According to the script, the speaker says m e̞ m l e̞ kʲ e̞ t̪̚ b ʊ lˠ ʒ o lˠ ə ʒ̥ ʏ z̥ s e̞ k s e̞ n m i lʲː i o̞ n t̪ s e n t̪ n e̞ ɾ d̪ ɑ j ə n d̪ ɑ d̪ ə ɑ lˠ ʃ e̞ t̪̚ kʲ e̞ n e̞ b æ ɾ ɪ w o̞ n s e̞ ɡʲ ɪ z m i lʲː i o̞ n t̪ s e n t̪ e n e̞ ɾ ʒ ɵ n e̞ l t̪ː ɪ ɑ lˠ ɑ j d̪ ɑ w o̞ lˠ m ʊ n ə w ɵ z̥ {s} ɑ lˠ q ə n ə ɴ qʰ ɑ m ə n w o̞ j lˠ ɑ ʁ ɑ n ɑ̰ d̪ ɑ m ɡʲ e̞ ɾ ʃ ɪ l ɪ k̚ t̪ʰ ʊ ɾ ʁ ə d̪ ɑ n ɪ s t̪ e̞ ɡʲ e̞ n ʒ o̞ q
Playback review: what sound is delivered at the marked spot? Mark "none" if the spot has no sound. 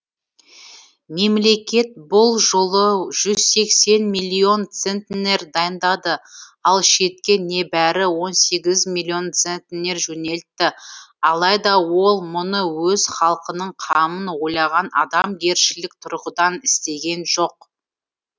χ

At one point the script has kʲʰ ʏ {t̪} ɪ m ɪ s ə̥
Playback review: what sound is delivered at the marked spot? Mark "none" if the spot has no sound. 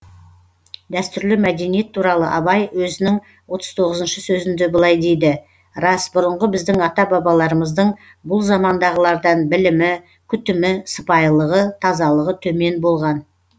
t̪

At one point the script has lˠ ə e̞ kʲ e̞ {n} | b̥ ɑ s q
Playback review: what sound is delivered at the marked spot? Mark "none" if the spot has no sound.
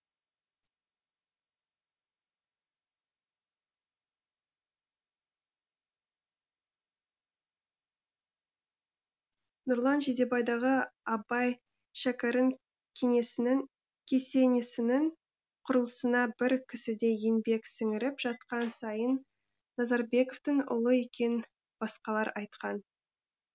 n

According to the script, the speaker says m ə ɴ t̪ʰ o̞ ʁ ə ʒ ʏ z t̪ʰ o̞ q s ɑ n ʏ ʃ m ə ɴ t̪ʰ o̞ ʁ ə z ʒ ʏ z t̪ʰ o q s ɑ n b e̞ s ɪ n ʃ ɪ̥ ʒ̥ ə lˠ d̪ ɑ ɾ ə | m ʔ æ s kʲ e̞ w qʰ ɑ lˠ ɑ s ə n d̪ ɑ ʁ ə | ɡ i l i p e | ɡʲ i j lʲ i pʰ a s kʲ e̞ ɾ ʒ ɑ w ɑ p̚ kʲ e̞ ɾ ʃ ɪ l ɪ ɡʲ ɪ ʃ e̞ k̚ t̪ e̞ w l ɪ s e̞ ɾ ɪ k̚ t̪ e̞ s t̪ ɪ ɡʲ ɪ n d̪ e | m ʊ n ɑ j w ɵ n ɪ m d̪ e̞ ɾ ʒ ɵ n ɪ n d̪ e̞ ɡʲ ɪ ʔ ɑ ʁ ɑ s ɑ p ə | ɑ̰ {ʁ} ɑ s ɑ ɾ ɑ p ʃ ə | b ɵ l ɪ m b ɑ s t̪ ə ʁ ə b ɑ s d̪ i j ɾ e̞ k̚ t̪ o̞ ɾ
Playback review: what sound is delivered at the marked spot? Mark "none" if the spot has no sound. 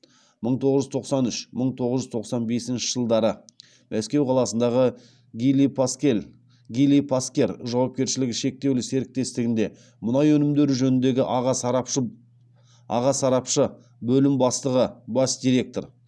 ʁ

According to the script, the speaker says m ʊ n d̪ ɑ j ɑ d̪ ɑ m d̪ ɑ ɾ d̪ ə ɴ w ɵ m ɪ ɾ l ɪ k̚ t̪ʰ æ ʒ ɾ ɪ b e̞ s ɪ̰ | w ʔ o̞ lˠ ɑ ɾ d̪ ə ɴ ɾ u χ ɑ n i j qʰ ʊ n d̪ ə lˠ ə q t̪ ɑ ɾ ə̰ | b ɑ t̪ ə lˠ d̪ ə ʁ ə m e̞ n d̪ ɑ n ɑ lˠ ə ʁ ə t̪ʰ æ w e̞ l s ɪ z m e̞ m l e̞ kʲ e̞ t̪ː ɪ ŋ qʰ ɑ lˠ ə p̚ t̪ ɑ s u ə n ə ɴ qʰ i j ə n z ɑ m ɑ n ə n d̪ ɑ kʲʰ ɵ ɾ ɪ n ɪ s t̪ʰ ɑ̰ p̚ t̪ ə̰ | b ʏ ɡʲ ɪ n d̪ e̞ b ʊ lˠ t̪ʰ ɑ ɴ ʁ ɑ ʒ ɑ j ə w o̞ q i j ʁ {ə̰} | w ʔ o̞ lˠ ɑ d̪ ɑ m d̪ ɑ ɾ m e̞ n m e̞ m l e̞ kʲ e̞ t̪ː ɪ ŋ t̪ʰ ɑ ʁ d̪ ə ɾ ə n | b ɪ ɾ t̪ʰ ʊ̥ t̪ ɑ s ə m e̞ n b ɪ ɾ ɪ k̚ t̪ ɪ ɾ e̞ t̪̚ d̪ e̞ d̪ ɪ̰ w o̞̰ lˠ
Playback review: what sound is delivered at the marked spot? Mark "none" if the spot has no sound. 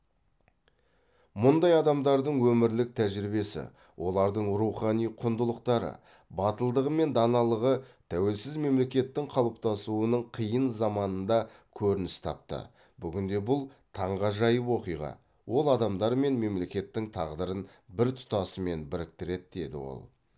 ɑ̰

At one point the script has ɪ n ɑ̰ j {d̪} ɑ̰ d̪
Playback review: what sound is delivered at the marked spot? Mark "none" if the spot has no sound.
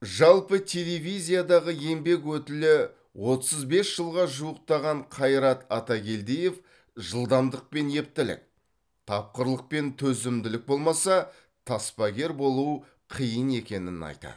t̪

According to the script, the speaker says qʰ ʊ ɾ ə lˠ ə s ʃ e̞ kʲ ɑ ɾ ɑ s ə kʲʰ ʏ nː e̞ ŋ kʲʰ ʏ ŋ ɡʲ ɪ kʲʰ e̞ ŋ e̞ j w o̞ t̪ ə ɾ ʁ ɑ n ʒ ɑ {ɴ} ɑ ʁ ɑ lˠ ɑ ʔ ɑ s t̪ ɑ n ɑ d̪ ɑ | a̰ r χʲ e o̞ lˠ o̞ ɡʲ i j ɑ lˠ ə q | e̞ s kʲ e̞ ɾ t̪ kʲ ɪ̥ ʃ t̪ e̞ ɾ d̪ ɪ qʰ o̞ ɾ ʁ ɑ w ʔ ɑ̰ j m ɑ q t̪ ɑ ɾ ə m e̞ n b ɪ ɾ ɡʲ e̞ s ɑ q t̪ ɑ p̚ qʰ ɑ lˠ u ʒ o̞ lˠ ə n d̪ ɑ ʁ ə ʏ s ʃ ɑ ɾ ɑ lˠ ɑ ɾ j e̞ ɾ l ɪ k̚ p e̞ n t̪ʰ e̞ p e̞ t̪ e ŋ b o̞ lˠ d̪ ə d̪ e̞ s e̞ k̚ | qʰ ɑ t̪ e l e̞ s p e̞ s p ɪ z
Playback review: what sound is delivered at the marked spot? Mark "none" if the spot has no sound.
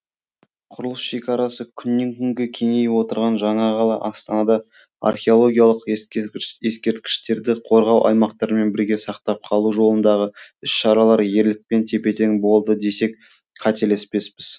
ɴ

